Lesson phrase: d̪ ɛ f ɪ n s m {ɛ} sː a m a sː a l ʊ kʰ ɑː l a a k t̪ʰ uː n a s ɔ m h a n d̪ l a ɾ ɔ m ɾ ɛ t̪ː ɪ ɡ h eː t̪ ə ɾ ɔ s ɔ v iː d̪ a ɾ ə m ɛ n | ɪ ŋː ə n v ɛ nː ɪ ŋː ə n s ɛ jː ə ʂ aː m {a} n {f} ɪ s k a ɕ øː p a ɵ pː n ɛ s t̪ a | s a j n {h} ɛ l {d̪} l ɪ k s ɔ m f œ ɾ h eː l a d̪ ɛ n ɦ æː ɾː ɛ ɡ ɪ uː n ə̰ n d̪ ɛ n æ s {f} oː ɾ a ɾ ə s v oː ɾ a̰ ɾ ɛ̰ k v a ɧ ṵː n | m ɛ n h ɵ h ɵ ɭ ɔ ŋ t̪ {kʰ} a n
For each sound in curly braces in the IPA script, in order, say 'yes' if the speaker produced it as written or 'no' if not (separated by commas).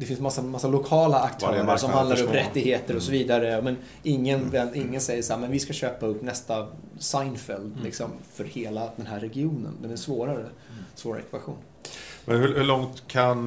no, no, no, no, yes, no, yes